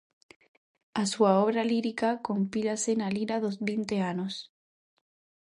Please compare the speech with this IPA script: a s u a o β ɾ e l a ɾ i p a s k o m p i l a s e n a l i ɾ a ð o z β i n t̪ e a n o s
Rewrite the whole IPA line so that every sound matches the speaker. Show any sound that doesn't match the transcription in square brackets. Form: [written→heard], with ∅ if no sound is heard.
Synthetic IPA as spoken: a s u a o β ɾ [e→a] l [a→i] ɾ i [p→k] a [s→∅] k o m p i l a s e n a l i ɾ a ð o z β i n t̪ e a n o s